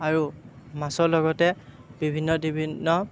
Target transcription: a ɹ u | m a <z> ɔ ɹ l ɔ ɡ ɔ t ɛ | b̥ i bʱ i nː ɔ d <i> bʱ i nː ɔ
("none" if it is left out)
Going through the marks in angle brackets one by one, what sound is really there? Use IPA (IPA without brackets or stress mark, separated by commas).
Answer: s, i